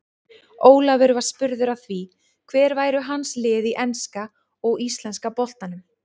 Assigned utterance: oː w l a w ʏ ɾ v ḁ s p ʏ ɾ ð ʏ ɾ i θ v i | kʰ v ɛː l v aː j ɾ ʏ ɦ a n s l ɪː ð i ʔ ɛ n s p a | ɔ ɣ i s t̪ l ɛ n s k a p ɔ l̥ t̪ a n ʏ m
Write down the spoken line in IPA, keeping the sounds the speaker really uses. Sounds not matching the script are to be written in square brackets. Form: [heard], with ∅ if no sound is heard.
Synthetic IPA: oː w l a [v] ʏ ɾ v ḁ s p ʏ ɾ ð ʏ ɾ [a] θ v i | kʰ v ɛː [ɾ] v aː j ɾ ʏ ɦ a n s l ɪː ð i ʔ ɛ n s [k] a | ɔ ɣ i s t̪ l ɛ n s k a p ɔ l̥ t̪ a n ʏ m

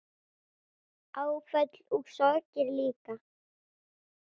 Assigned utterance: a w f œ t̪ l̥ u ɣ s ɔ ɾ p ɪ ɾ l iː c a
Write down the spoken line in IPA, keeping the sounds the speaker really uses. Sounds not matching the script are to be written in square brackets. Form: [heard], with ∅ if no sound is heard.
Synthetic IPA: a w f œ t̪ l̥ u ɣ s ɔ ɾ [c] ɪ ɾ l iː [k] a

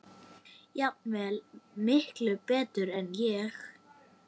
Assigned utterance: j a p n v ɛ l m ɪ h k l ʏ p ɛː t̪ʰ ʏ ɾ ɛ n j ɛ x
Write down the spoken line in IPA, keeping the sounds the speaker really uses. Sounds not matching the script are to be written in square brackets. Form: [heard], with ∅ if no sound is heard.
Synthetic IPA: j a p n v ɛ l m ɪ h k l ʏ p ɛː [t̪] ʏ ɾ ɛ n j ɛ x

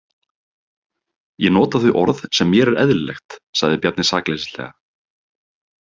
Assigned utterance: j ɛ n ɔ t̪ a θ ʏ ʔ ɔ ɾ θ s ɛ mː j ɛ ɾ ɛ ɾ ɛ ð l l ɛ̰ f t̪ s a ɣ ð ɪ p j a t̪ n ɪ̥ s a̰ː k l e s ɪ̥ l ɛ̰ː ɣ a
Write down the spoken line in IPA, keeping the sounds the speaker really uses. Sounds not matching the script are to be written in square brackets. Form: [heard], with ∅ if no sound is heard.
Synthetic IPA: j ɛ n [ɔː] t̪ a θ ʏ ʔ ɔ ɾ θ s ɛ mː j ɛ ɾ ɛ ɾ ɛ ð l l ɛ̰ [x] t̪ s a ɣ ð ɪ p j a t̪ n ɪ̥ s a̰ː k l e s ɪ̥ l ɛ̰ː ɣ a

